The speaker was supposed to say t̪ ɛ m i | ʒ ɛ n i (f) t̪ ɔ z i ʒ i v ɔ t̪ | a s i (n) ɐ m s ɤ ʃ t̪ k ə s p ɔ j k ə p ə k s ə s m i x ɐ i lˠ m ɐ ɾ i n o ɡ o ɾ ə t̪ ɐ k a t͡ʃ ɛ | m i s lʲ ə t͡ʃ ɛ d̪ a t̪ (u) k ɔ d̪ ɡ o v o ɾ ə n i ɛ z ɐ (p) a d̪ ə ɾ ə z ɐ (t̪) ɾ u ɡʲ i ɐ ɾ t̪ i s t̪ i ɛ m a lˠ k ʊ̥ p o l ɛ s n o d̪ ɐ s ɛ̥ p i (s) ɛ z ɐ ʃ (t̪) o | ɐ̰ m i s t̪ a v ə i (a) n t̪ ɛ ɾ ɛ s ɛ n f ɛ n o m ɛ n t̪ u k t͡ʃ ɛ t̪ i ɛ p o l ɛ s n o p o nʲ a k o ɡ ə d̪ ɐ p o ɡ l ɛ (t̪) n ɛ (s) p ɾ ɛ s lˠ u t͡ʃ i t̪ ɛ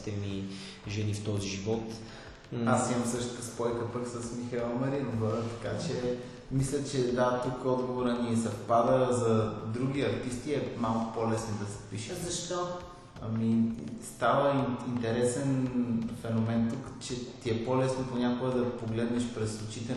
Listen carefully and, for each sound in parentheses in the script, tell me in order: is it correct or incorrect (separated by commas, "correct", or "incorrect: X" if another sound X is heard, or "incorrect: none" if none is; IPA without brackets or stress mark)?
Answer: correct, incorrect: m, correct, correct, incorrect: d̪, incorrect: ʃ, correct, incorrect: i, incorrect: d̪, incorrect: ʃ